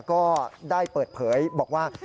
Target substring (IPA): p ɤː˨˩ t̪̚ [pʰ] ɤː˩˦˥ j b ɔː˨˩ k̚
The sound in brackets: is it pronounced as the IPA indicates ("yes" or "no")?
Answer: yes